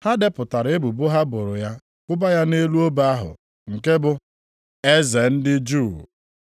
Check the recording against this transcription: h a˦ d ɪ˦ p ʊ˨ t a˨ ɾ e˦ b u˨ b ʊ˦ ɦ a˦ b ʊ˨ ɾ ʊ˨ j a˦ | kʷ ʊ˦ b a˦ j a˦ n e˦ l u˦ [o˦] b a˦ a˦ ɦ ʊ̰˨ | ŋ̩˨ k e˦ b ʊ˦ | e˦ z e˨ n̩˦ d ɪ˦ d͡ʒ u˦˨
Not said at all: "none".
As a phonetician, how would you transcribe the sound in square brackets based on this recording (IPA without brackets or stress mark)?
o˦